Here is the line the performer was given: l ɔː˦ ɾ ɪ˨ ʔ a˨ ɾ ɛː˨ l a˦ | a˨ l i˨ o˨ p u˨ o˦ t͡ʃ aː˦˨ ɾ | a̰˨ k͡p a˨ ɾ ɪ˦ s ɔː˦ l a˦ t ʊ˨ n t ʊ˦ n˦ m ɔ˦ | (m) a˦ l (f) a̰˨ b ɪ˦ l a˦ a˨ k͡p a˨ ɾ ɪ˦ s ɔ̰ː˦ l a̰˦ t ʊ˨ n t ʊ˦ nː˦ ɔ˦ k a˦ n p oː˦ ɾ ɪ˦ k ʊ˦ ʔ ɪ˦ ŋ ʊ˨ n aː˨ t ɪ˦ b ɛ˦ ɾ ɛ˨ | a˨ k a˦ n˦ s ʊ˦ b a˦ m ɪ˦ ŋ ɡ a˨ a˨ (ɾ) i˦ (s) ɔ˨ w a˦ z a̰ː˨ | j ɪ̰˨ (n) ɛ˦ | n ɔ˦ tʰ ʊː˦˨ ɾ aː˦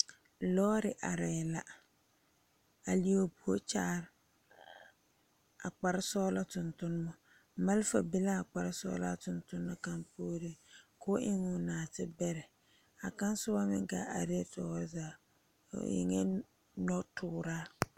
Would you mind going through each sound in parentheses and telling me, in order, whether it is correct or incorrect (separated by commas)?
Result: correct, correct, correct, incorrect, incorrect